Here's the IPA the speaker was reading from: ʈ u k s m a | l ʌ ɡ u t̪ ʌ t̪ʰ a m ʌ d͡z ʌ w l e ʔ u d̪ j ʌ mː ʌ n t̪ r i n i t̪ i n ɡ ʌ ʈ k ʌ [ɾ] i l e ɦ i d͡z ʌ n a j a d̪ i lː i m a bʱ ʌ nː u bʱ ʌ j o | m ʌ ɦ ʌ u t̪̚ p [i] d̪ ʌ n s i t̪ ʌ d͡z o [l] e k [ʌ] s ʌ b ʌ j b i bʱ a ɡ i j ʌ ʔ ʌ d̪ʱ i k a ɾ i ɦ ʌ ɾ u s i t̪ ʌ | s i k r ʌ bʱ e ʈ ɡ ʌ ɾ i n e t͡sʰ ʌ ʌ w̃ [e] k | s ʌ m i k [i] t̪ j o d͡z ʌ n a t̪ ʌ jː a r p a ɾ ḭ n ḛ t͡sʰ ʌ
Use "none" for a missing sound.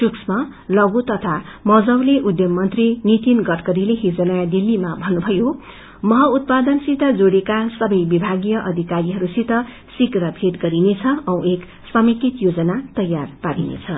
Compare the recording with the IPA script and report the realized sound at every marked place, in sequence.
ɾ, a, ɽ, a, e, i

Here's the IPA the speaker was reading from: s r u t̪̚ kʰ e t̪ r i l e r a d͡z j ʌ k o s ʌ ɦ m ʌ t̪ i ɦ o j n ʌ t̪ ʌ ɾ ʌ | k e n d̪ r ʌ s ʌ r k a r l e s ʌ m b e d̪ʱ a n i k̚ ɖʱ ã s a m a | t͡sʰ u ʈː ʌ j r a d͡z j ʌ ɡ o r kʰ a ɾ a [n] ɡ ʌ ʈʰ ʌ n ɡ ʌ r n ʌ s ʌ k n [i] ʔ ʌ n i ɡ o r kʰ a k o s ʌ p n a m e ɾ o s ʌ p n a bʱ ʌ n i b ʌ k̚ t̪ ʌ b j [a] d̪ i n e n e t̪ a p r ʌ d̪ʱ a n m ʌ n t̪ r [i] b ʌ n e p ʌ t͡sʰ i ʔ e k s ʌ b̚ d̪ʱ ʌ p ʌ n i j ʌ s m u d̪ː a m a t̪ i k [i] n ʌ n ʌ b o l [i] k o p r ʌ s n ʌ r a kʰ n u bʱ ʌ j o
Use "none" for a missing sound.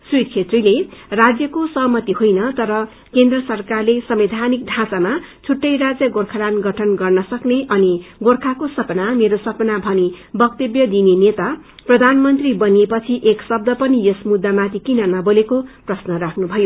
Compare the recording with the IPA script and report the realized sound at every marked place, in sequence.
n, e, ʌ, i, i, e

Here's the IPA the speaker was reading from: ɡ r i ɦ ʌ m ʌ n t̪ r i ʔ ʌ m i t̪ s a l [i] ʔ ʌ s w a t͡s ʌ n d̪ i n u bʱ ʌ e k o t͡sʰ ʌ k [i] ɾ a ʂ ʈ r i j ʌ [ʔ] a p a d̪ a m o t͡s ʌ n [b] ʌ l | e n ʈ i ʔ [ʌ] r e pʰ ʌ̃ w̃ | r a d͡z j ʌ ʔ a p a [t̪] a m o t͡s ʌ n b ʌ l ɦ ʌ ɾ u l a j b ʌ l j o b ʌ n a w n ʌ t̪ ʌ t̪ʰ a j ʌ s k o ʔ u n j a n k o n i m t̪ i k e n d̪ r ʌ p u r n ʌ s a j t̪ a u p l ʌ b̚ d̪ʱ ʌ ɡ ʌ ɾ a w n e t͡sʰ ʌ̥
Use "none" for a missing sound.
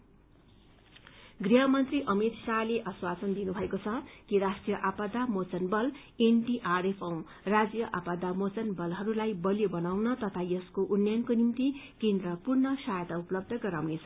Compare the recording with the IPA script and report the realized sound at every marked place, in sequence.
e, i, ʔ, b, a, d̪

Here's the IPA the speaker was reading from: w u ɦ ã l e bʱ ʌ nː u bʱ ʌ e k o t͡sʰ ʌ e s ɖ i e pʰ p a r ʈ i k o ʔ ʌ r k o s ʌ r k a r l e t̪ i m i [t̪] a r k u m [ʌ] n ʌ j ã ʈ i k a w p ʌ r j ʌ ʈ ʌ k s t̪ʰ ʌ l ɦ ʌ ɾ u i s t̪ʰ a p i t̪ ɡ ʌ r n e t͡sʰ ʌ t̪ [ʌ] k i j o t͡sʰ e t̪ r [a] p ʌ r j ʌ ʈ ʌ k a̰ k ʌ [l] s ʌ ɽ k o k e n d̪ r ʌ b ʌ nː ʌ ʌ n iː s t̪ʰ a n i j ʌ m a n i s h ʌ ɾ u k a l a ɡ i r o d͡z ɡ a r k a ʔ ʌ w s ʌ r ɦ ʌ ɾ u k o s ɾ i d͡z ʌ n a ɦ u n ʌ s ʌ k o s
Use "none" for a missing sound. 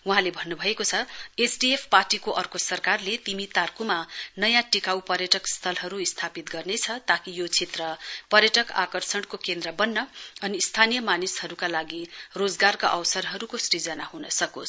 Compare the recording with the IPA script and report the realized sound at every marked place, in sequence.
t̪, a, a, ʌ, r

